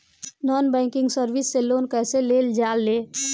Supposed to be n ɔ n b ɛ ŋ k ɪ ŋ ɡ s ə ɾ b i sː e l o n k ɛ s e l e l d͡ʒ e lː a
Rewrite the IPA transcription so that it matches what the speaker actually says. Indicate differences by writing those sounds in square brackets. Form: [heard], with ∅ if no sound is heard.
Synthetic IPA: n ɔ n b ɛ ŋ k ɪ ŋ ɡ s ə ɾ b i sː e l o n k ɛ s e l e l d͡ʒ [a] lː [e]